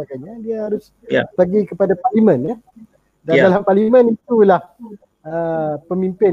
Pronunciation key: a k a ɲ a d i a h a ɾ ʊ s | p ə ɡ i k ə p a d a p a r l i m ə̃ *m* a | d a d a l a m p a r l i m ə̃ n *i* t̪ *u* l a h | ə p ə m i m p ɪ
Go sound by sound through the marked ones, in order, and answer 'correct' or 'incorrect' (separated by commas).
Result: incorrect, correct, correct